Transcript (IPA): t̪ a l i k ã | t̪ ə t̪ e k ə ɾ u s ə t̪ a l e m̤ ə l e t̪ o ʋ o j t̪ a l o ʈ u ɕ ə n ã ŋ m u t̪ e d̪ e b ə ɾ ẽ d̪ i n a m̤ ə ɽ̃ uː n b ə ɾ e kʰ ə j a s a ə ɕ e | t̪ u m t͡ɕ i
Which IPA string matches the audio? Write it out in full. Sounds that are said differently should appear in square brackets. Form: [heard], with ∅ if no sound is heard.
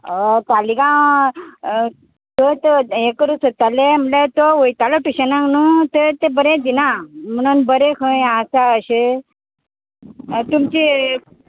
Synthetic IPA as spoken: t̪ a l i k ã | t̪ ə t̪ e k ə ɾ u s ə t̪ a l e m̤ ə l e t̪ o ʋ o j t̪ a l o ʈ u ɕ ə n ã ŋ [n] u t̪ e [t̪] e b ə ɾ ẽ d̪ i n a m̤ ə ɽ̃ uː n b ə ɾ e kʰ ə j a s a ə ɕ e | t̪ u m t͡ɕ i